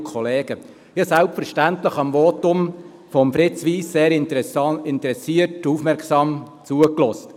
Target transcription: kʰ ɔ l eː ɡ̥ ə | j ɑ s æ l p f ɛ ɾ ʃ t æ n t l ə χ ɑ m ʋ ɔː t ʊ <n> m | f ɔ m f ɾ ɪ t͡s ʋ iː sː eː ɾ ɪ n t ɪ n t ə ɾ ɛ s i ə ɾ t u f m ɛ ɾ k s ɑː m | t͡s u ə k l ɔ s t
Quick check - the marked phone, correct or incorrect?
incorrect: none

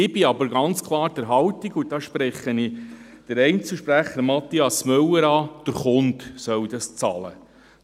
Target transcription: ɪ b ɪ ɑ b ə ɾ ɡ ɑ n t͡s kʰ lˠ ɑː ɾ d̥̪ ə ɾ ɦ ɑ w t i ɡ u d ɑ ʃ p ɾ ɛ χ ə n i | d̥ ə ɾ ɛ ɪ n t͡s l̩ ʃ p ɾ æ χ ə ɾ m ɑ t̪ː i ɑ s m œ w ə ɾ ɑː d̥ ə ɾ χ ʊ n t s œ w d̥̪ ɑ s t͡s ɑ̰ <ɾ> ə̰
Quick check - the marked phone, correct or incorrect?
incorrect: l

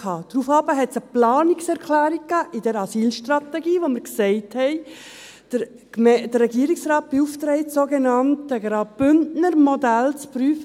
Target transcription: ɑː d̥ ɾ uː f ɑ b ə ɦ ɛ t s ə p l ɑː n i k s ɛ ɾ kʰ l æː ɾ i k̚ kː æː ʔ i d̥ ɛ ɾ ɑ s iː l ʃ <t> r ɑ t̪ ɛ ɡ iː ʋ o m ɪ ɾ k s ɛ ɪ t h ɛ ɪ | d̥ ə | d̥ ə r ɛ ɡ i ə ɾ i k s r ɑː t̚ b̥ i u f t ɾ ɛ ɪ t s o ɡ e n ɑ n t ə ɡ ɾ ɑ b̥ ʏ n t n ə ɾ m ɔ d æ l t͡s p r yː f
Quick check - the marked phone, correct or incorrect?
correct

